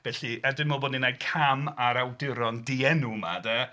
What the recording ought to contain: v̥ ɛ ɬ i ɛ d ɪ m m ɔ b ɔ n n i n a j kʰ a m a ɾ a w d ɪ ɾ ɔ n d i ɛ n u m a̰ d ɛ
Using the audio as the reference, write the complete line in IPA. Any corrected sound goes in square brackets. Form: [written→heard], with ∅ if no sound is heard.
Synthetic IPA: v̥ ɛ ɬ i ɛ d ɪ [m→n] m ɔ b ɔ [n→d] n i n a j kʰ a m a ɾ a w d ɪ ɾ ɔ n d i ɛ n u m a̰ d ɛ